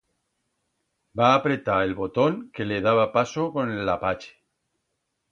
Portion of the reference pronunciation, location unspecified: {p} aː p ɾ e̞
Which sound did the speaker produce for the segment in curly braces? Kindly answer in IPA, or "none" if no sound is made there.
b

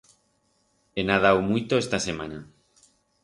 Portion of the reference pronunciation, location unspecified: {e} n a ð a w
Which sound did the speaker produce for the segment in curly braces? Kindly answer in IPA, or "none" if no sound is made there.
e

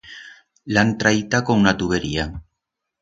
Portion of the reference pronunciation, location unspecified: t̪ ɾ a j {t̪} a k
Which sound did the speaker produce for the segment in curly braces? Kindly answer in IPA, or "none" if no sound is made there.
t̪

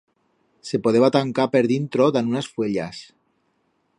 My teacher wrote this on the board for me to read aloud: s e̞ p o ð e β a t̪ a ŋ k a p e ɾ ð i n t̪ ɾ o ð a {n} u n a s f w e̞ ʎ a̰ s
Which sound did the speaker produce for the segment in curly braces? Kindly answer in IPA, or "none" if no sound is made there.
n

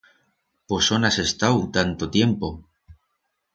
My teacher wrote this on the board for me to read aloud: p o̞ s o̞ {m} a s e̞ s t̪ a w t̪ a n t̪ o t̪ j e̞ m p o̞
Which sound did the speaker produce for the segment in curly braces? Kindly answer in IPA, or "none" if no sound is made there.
n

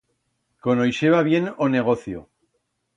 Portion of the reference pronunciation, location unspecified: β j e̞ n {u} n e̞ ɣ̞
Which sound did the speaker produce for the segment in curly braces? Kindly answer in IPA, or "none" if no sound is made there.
o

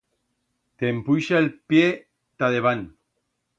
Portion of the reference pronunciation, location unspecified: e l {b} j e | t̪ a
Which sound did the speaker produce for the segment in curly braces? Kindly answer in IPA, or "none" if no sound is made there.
p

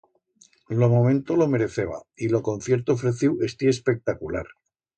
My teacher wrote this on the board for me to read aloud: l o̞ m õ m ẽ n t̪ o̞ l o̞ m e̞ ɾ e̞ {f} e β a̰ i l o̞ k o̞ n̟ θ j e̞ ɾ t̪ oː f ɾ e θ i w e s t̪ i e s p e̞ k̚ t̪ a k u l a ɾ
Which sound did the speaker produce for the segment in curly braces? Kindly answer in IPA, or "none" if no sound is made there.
θ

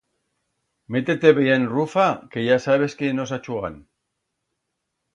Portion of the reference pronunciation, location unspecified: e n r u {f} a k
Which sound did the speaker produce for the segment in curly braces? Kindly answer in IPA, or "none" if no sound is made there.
f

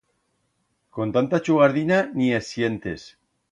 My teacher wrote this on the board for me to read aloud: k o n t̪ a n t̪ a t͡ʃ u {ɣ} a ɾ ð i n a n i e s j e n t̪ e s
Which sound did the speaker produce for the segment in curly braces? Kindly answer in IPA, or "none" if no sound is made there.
ɣ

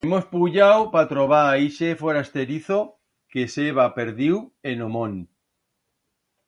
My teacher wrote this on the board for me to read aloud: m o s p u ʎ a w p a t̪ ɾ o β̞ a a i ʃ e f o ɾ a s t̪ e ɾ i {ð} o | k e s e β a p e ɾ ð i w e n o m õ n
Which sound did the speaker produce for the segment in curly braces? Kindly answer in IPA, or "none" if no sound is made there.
θ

